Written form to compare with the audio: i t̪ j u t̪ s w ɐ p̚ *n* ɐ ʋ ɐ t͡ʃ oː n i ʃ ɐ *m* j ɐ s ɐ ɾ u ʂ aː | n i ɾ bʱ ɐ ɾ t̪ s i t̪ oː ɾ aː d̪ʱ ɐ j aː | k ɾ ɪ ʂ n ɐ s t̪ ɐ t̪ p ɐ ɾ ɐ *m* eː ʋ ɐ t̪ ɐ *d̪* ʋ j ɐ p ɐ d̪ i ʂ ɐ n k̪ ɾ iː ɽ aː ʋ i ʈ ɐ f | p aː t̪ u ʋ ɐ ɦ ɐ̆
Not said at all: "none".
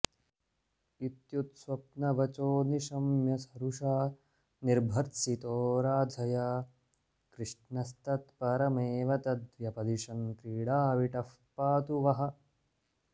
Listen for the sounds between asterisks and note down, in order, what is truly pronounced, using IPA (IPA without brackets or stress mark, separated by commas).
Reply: n, m, m, d̪